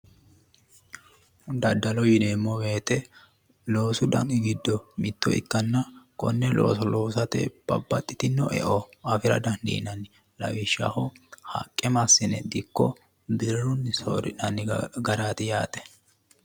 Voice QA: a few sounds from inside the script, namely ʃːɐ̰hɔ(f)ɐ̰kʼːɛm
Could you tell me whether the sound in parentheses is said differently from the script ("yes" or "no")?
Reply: yes